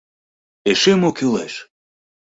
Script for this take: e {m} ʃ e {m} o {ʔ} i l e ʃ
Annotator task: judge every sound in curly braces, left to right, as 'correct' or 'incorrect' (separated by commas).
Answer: incorrect, correct, incorrect